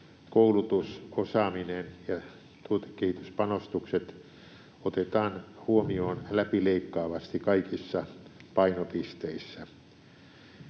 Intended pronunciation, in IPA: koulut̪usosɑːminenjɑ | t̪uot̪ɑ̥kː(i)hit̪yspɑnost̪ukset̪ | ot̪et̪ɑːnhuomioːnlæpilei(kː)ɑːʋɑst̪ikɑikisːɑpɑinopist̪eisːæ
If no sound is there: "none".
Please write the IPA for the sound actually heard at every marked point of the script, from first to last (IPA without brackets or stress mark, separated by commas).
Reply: e, kː